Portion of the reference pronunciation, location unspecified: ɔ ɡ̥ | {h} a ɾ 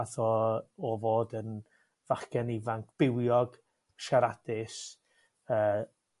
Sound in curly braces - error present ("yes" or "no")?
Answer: yes